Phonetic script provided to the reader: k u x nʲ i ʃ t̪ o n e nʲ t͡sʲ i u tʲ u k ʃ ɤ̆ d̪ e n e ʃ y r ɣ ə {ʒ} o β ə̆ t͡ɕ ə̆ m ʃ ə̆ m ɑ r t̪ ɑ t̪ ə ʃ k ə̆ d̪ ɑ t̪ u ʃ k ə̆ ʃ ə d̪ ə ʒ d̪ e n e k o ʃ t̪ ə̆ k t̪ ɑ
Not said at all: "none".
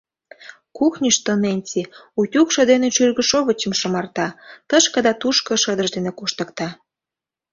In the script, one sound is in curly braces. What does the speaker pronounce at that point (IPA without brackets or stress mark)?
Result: ʃ